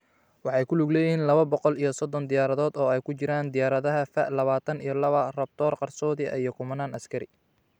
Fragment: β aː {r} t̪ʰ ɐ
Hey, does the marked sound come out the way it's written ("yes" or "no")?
no